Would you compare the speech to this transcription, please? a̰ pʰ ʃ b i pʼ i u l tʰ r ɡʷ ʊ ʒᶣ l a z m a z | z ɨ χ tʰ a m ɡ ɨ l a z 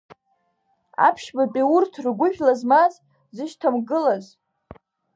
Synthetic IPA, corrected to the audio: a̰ pʰ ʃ b a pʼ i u r tʰ r ɡʷ ʊ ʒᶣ l a z m a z | z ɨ ʃ tʰ a m ɡ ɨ l a z